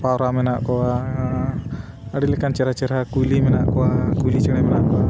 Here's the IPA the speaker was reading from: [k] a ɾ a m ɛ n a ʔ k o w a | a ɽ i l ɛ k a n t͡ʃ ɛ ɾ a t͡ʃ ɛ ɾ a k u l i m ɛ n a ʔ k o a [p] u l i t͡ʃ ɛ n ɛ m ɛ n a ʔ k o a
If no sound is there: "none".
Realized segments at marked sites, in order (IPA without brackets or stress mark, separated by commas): p, k